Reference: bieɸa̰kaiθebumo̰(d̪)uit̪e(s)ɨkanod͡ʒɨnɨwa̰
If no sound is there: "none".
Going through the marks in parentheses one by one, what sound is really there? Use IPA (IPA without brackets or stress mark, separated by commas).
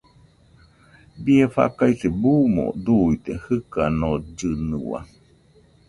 d̪, h